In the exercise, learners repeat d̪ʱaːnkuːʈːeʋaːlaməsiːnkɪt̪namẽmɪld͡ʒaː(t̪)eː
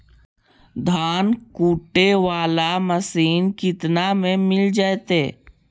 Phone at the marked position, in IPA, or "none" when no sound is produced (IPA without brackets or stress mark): t̪